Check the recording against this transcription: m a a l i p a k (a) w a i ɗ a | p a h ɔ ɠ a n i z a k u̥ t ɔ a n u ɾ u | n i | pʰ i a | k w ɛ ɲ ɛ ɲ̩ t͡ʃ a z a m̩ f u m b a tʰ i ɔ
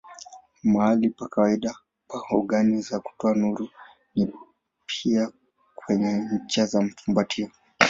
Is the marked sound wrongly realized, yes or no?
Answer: no